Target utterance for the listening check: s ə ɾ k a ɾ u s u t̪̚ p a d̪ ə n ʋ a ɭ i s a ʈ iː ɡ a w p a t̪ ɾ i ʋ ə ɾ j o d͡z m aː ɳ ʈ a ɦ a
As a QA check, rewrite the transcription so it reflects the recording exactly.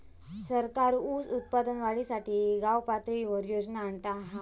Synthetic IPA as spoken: s ə ɾ k a ɾ u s u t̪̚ p a d̪ ə n ʋ a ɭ i s a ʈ iː ɡ a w p a t̪ ɾ i ʋ ə ɾ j o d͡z n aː ɳ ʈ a ɦ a